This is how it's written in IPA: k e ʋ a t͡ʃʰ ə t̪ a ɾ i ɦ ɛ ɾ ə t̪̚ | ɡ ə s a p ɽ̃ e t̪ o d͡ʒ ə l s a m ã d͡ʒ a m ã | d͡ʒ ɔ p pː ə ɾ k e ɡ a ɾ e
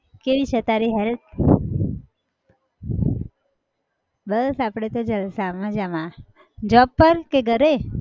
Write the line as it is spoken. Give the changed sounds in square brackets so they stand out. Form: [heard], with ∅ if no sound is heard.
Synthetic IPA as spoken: k e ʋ [i] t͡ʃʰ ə t̪ a ɾ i ɦ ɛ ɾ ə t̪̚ | [b] ə s a p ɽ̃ e t̪ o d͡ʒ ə l s a m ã d͡ʒ a m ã | d͡ʒ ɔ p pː ə ɾ k e ɡ [ə] ɾ e